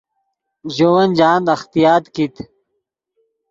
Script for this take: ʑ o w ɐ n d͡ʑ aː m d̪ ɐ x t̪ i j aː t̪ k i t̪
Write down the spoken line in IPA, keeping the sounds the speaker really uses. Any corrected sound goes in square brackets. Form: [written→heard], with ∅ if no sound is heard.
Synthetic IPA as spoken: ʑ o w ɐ n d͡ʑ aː [m→n] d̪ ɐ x t̪ i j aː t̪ k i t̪